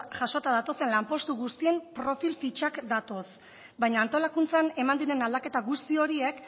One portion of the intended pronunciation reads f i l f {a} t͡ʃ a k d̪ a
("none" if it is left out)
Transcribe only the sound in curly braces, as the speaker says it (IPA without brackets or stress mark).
i